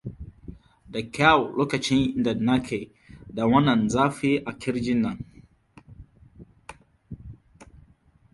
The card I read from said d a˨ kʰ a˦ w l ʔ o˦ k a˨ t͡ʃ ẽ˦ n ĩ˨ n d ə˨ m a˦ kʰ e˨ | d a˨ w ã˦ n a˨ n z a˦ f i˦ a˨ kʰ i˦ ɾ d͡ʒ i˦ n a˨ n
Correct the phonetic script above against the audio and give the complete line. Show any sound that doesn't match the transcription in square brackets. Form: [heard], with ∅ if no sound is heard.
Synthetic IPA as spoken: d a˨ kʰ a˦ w l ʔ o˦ k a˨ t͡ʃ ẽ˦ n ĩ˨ n d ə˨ [n] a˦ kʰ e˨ | d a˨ w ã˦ n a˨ n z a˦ f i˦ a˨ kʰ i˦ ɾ d͡ʒ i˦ n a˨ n